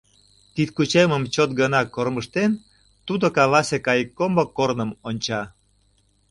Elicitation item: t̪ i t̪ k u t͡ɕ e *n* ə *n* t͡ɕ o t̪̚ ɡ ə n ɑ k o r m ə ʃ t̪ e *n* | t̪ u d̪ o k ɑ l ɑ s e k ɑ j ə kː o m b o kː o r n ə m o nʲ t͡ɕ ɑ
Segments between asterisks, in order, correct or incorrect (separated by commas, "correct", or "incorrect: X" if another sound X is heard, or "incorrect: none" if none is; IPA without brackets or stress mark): incorrect: m, incorrect: m, correct